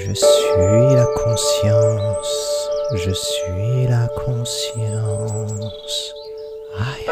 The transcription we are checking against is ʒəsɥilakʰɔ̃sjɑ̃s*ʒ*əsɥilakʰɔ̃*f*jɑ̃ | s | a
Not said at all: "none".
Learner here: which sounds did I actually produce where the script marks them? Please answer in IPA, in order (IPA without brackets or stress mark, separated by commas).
ʒ, s